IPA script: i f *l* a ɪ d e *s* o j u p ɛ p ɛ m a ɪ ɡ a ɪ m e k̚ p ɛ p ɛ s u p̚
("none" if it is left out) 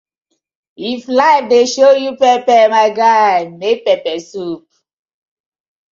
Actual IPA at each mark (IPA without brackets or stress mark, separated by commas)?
l, ʃ